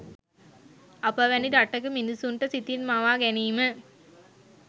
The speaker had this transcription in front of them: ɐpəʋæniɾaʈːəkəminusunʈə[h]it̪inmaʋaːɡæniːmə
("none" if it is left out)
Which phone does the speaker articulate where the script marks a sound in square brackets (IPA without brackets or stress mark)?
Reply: s